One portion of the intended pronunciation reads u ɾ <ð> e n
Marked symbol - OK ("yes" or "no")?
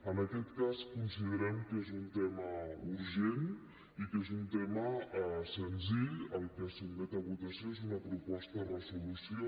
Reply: no